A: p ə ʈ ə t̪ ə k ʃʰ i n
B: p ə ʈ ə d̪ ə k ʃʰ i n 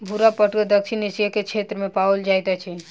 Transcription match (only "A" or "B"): B